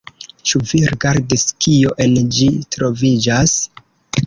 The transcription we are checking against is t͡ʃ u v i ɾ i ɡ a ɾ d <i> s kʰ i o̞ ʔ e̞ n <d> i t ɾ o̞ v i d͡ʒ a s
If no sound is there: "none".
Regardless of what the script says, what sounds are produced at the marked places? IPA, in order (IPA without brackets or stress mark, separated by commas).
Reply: i, d͡ʒ